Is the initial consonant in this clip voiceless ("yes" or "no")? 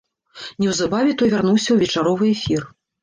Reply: no